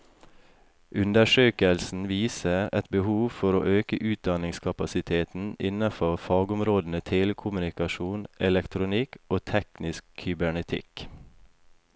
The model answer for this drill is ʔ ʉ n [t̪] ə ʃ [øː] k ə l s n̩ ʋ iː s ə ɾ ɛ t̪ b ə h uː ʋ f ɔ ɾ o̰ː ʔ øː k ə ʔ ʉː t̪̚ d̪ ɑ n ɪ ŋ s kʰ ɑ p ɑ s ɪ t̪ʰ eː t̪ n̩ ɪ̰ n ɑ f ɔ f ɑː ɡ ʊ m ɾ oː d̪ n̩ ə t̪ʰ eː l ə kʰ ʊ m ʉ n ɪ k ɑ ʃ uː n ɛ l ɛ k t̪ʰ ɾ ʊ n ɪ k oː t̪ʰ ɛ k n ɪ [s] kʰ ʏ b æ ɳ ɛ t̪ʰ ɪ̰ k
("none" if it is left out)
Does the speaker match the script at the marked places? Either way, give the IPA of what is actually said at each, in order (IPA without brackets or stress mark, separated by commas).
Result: d̪, øː, s